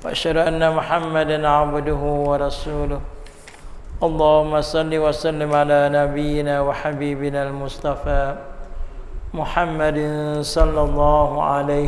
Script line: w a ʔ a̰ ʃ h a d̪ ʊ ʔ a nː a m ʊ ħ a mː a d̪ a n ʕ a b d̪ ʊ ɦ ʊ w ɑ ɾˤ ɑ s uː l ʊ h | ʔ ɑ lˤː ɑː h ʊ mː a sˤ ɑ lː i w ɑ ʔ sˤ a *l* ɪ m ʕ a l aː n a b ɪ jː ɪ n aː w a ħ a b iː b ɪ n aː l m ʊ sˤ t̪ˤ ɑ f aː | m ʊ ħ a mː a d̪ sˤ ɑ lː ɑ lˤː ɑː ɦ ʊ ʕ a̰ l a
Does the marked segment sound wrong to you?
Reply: yes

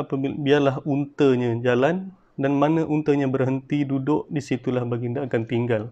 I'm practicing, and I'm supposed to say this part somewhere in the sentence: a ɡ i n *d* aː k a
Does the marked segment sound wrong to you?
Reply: no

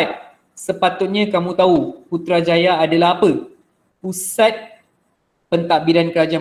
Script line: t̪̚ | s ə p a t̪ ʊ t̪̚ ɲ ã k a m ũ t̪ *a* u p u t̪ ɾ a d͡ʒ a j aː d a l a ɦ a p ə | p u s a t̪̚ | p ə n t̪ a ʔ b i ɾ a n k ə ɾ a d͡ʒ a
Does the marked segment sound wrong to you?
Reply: no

